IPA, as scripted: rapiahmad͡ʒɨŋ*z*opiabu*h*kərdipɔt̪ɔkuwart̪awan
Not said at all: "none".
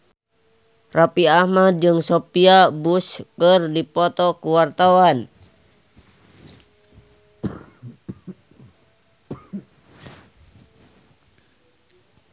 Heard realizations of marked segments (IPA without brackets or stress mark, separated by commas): s, s